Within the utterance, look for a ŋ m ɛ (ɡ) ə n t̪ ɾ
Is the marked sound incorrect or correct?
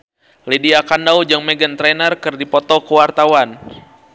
correct